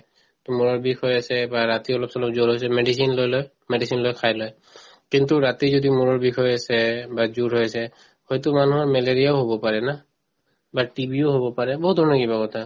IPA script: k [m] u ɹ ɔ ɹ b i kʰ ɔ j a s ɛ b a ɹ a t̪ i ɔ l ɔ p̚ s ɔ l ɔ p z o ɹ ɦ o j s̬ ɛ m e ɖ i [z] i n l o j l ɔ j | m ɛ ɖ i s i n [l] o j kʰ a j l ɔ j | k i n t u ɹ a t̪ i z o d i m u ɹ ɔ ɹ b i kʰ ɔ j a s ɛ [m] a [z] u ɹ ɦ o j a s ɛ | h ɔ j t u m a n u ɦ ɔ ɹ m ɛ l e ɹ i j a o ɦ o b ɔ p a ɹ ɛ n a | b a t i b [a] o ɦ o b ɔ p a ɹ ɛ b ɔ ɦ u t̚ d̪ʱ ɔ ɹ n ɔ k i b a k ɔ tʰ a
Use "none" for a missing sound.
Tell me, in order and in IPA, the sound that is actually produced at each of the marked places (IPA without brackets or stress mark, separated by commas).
m, s, l, b, z, i